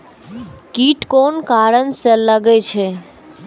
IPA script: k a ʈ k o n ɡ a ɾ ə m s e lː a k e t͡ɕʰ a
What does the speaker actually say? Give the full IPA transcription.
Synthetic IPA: k i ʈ k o n k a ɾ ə n s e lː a ɡ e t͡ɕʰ e